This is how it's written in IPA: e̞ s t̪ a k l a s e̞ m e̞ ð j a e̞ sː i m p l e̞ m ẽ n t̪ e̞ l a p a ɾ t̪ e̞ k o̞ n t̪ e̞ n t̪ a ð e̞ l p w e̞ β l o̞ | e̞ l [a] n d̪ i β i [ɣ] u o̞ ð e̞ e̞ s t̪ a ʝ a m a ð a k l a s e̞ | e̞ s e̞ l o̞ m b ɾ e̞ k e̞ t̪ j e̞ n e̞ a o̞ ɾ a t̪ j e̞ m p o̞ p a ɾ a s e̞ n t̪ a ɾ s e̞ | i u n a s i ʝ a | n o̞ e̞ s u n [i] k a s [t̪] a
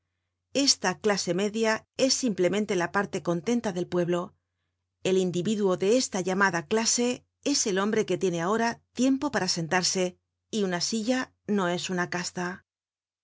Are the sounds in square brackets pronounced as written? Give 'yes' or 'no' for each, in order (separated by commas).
no, no, no, yes